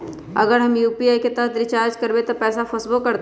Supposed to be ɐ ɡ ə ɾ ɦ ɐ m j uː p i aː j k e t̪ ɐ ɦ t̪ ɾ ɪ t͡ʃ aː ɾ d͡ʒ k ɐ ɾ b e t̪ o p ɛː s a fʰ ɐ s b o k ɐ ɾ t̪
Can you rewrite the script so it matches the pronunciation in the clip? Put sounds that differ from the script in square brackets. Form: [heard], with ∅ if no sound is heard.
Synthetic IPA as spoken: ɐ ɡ ə ɾ ɦ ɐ m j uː p i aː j k e t̪ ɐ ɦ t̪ ɾ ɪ t͡ʃ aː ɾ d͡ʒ k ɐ ɾ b e t̪ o p ɛː s a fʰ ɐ s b o k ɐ ɾ t̪